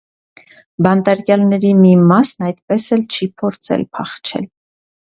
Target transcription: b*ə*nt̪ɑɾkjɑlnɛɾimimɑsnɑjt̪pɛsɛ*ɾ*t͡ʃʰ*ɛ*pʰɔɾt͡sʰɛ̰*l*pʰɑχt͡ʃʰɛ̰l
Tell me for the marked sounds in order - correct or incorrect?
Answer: incorrect: ɑ, incorrect: l, incorrect: i, correct

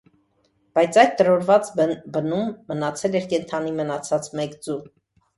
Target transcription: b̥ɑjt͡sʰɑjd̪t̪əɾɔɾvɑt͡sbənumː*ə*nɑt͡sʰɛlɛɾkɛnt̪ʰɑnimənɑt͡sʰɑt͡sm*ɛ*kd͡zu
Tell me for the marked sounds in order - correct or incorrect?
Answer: correct, correct

